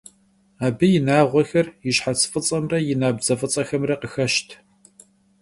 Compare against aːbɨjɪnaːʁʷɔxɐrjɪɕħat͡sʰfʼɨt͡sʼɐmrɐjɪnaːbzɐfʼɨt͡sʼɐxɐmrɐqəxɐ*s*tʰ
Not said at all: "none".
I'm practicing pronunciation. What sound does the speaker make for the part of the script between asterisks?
ʃ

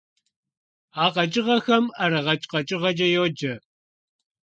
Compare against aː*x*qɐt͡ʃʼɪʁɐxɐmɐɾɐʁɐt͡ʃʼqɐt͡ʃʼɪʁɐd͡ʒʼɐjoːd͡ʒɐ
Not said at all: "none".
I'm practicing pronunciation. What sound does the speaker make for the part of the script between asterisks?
none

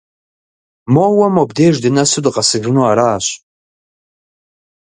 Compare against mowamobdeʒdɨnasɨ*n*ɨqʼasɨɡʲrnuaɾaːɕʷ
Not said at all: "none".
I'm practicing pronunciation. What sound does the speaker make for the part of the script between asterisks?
d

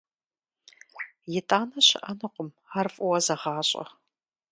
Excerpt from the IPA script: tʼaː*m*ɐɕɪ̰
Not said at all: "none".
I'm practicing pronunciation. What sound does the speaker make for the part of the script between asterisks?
n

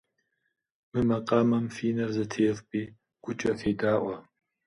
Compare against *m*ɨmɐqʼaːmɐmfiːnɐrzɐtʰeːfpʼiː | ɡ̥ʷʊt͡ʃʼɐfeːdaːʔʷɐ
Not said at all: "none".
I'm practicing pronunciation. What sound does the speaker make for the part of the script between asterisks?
m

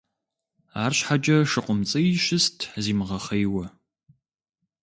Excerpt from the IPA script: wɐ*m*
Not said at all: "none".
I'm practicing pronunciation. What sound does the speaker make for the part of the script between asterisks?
none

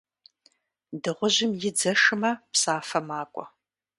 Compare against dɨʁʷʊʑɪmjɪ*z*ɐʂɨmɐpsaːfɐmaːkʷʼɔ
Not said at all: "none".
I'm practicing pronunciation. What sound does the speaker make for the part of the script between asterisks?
d͡z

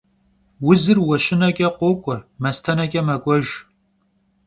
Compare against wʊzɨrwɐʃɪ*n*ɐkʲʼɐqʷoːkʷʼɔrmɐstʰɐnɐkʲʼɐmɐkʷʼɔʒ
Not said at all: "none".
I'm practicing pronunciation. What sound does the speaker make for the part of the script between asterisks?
n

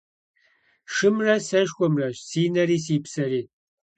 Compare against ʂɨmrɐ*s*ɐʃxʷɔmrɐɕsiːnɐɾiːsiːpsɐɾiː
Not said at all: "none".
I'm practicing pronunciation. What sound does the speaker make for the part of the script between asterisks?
s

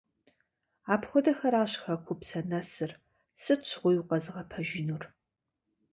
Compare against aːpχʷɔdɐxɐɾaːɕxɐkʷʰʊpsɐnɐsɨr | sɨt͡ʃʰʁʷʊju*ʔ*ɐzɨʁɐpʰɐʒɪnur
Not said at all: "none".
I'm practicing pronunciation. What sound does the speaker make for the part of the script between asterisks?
q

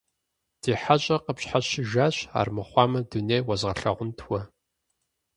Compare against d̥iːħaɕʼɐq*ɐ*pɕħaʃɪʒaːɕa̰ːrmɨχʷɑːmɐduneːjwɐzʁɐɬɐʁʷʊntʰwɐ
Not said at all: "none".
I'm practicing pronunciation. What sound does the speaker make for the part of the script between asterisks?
ə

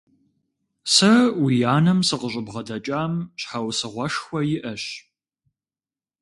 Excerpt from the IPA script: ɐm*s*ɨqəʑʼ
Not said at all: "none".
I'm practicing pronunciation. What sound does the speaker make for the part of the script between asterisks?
s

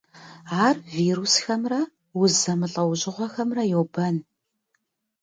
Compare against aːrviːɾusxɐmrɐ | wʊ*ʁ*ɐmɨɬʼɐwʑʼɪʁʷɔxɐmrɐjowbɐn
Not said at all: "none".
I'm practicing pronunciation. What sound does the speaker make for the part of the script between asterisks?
z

